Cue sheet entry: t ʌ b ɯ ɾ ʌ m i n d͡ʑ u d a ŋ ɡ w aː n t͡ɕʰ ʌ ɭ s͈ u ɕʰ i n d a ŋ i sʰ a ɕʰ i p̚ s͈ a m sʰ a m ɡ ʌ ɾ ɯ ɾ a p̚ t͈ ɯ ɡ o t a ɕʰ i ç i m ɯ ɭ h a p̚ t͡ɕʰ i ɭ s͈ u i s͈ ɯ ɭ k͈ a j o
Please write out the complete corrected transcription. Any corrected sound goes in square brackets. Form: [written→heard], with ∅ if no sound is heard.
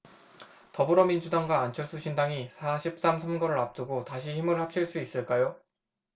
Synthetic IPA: t ʌ b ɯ ɾ ʌ m i n d͡ʑ u d a ŋ ɡ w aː n t͡ɕʰ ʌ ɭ s͈ u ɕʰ i n d a ŋ i sʰ a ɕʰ i p̚ s͈ a m sʰ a m ɡ ʌ ɾ ɯ ɾ a p̚ t͈ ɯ ɡ o t a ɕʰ i ç i m ɯ ɭ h a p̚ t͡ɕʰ i ɭ s͈ u i s͈ ɯ ɭ k͈ a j o